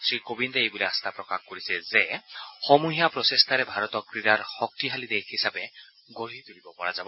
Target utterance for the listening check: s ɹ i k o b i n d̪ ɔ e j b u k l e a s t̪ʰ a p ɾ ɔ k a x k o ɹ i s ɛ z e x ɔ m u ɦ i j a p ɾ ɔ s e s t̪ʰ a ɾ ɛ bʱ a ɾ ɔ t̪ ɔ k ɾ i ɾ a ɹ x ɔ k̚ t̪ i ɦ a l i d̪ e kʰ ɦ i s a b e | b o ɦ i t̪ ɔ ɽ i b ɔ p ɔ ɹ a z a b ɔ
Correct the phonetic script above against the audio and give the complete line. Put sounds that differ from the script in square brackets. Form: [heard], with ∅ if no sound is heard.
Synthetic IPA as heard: s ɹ i k o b i n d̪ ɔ e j b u [∅] l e a s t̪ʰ a p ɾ ɔ k a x k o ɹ i s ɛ z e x ɔ m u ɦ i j a p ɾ ɔ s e s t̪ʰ a ɾ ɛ bʱ a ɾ ɔ t̪ ɔ k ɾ i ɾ a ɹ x ɔ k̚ t̪ i ɦ a l i d̪ e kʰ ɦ i s a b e | [ɡ] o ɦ i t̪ [u] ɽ i b ɔ p ɔ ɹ a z a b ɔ